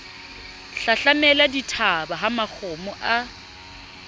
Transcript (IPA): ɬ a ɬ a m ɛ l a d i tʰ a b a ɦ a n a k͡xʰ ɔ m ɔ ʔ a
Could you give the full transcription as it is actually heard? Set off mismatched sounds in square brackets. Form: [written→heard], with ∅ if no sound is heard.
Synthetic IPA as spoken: ɬ a ɬ a m ɛ l a d i tʰ a b a ɦ a [n→m] a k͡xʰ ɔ m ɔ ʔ a